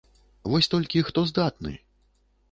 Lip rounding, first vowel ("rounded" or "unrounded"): rounded